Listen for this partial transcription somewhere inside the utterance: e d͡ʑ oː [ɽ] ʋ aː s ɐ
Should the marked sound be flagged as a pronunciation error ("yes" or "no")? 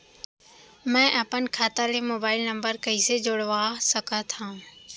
no